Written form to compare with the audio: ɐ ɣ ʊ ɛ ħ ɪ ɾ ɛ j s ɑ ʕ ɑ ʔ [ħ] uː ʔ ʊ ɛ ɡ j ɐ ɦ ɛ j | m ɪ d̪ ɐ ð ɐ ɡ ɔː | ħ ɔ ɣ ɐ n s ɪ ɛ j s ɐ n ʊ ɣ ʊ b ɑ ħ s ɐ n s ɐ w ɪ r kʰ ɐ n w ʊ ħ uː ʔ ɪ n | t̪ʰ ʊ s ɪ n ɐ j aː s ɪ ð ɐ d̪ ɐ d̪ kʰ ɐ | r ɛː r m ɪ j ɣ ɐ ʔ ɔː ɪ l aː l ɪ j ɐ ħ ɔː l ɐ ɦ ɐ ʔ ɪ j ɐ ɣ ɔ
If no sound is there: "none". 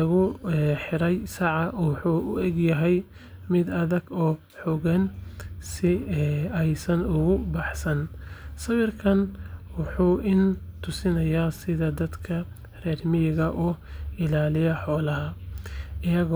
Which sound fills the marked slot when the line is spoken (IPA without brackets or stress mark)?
ħ